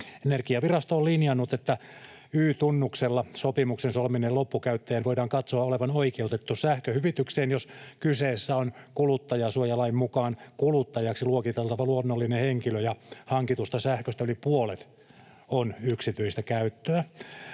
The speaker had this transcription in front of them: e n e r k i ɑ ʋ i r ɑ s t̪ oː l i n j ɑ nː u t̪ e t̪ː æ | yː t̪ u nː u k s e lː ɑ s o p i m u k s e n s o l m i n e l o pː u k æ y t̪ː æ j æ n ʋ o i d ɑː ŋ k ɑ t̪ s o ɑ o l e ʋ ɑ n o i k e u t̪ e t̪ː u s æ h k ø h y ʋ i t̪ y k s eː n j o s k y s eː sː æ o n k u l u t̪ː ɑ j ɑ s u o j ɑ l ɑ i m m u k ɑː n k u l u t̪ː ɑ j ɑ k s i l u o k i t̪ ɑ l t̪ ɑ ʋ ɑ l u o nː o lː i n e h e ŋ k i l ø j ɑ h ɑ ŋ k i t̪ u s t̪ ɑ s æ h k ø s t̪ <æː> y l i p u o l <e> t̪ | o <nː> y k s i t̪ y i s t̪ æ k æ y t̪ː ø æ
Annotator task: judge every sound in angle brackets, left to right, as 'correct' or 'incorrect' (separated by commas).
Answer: incorrect, correct, incorrect